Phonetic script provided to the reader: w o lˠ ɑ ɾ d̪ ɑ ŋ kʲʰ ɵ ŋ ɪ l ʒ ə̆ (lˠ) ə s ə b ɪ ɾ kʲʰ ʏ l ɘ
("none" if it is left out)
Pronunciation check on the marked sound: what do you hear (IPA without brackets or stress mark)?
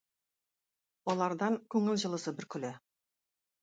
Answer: lˠ